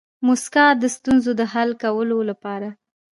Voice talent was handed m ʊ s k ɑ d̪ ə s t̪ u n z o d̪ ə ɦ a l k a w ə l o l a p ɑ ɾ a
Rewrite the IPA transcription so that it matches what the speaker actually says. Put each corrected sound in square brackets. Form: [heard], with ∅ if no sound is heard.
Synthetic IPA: m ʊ s k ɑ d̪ ə s t̪ u n z o d̪ ə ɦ a l k a w ə l o l a p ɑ ɾ a